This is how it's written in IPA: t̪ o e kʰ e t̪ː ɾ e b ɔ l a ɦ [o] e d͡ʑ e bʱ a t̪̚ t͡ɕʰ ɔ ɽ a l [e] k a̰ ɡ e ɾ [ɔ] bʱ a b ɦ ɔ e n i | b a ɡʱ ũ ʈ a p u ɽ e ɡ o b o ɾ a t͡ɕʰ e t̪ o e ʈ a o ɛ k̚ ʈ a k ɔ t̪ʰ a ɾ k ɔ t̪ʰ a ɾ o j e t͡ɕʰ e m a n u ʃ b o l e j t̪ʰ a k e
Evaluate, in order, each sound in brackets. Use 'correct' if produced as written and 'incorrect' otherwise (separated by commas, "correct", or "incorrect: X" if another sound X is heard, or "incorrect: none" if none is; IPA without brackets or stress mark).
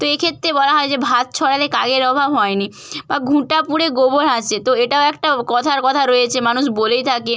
incorrect: ɔ, correct, correct